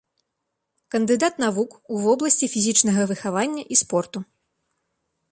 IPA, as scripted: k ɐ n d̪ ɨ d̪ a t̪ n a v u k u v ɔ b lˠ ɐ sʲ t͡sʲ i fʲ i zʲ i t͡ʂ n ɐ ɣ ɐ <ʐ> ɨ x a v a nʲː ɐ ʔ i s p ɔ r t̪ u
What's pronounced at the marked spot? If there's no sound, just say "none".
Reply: v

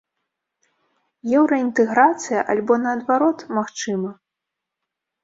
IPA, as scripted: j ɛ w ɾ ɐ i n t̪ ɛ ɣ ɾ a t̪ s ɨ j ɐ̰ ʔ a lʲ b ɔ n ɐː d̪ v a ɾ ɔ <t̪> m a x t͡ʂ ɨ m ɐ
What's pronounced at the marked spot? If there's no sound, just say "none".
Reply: t̪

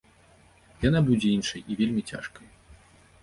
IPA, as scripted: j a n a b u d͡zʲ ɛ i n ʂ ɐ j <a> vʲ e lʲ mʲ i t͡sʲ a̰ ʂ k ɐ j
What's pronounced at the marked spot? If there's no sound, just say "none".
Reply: i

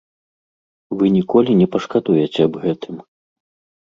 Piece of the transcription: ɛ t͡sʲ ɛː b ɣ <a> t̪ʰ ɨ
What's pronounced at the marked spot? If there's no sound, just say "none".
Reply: ɛ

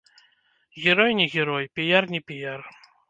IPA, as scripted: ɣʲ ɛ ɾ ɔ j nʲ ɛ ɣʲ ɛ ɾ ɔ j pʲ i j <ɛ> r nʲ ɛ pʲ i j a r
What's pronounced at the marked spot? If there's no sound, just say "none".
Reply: a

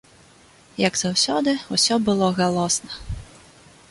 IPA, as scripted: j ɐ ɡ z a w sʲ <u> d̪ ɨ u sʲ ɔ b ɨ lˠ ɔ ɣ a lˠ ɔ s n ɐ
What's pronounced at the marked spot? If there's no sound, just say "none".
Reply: ɔ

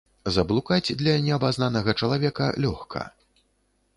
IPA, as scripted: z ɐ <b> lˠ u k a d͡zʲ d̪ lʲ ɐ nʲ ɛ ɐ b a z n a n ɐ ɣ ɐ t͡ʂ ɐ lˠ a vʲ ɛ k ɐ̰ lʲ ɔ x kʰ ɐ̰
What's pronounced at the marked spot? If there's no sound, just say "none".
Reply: b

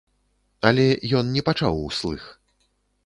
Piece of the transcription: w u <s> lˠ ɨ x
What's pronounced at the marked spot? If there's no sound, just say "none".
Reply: s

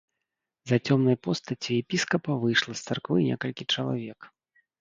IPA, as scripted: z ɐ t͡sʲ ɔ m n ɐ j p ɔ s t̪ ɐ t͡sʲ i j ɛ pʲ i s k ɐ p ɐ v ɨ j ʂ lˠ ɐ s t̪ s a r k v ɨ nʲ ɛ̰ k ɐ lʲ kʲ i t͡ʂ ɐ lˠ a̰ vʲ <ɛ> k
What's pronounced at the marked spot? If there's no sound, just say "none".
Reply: ɛ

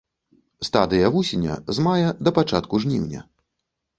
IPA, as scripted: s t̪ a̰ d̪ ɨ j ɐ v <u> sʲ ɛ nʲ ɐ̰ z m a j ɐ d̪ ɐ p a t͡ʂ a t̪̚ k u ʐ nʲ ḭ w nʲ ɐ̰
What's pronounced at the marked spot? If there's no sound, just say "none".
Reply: u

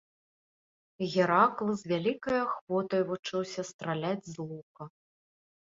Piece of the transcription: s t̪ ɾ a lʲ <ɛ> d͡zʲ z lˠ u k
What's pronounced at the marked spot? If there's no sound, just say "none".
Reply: a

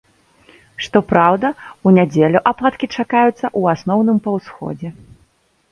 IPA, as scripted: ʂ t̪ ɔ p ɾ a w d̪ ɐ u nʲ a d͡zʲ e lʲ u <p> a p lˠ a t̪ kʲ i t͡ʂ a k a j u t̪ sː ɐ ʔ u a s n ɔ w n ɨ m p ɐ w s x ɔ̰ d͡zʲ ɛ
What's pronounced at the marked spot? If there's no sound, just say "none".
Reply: ʔ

